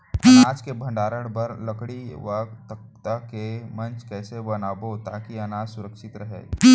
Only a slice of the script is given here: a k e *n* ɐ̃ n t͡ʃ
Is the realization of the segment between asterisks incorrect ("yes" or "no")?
yes